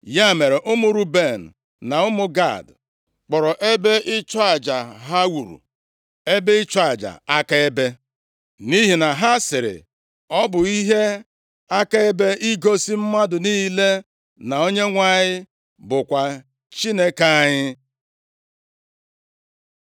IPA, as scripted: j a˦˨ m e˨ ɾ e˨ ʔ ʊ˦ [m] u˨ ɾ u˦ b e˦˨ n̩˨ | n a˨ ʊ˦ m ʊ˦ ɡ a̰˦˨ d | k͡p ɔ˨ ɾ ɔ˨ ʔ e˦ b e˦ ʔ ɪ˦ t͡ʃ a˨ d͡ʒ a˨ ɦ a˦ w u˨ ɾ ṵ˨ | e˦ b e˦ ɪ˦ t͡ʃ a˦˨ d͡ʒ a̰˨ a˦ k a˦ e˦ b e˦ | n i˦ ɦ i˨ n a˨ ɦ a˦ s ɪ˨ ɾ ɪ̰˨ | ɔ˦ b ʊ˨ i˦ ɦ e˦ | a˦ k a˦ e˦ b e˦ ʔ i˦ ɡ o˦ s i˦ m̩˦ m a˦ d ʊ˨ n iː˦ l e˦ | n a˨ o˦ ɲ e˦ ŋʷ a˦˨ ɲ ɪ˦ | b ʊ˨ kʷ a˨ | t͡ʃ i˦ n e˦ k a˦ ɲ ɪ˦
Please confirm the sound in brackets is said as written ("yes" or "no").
yes